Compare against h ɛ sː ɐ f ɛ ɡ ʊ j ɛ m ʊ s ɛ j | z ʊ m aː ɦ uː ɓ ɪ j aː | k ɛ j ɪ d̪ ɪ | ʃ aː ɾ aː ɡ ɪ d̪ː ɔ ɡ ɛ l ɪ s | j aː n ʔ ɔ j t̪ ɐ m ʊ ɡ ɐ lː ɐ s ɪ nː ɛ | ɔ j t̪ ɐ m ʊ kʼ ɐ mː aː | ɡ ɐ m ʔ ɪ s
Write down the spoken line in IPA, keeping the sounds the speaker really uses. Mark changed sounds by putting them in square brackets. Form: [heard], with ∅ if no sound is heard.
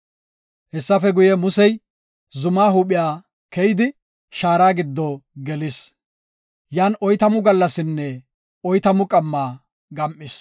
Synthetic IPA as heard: h ɛ sː ɐ f ɛ ɡ ʊ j ɛ m ʊ s ɛ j | z ʊ m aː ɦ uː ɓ ɪ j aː | k ɛ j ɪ d̪ ɪ | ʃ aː ɾ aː ɡ ɪ d̪ː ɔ ɡ ɛ l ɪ s | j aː n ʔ ɔ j t̪ ɐ m ʊ ɡ ɐ lː ɐ s ɪ nː ɛ | ɔ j t̪ ɐ m ʊ kʼ ɐ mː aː | ɡ ɐ m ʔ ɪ s